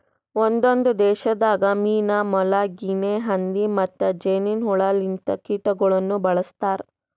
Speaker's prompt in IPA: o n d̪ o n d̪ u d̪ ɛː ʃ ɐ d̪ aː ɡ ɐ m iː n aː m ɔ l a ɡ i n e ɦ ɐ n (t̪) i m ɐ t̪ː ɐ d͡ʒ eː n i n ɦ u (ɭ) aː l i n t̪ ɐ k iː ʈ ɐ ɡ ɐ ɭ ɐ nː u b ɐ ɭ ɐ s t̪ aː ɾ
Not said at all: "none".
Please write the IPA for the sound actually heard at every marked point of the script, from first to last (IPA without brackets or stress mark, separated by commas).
d̪, ɭ